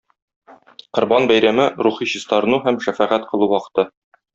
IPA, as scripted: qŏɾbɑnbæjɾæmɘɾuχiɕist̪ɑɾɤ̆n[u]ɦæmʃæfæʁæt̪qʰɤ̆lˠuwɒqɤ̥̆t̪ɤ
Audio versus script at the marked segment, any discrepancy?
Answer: no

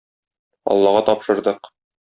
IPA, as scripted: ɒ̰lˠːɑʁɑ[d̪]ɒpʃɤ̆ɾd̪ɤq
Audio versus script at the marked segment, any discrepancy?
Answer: yes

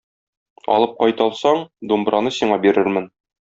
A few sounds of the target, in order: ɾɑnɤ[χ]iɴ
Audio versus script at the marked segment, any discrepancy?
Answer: yes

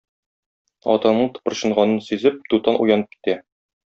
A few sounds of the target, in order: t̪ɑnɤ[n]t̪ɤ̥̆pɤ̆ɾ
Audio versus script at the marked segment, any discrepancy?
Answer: yes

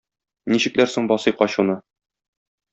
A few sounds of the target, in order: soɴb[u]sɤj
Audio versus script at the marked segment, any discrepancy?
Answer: yes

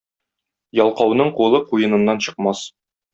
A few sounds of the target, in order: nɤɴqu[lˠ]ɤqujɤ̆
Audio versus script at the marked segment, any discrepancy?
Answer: no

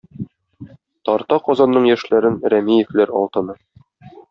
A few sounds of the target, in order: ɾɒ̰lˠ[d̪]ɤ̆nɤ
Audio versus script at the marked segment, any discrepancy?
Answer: yes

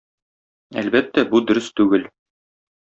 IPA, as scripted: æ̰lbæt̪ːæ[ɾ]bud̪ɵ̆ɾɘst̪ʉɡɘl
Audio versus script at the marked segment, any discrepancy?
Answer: yes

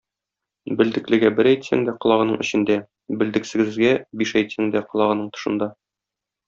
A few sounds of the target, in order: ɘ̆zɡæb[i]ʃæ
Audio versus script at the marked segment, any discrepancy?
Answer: no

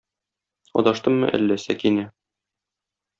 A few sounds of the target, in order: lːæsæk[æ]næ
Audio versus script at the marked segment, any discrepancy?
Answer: yes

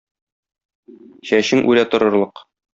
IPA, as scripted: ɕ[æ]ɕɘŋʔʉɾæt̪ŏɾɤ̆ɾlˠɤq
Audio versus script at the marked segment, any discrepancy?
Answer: no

